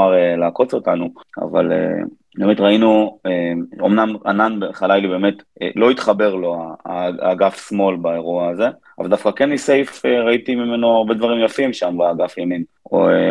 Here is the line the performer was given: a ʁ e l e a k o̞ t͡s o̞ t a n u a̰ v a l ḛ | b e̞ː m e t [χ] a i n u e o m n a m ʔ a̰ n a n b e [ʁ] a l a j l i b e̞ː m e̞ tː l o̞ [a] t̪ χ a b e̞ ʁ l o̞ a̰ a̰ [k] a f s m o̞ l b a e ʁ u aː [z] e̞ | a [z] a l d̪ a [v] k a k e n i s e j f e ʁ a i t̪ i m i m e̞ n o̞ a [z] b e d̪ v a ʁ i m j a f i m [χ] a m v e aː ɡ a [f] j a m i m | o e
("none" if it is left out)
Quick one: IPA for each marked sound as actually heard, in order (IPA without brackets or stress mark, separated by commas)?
ʁ, χ, i, ɡ, z, v, f, ʁ, ʃ, f